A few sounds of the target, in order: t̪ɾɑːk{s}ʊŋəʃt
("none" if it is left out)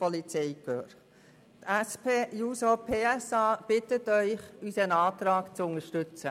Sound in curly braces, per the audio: t͡s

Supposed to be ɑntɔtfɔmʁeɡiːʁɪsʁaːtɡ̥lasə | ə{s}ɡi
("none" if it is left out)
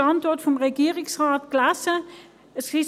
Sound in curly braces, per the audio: s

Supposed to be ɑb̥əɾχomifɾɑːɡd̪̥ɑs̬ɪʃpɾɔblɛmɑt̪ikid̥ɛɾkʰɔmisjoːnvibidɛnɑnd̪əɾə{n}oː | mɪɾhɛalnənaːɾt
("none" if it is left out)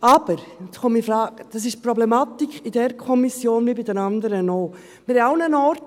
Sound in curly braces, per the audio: n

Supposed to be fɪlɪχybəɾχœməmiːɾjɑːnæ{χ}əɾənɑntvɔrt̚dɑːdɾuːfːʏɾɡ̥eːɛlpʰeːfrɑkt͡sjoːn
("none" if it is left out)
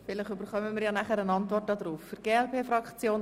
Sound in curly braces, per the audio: χ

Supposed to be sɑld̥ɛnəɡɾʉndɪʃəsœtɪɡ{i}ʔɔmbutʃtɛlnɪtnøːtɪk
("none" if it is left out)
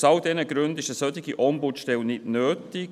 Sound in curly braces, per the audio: i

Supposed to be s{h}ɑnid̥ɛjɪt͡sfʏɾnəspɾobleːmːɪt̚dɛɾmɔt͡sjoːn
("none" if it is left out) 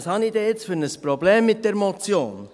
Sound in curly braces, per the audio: h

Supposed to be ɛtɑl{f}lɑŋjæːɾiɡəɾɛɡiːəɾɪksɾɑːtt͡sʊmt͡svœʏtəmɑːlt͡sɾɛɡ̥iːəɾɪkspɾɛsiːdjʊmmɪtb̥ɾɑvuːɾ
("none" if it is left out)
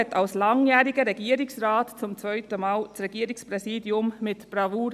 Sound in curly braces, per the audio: s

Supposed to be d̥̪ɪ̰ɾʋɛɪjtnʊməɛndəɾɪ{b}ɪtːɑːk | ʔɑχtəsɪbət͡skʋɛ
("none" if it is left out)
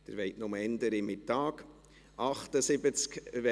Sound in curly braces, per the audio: m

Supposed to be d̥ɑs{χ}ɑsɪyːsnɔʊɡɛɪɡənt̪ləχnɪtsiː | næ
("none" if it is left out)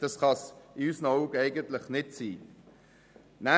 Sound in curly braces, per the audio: χ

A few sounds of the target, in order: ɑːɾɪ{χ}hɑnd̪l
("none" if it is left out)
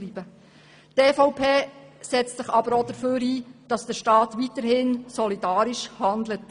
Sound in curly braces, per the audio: ʃ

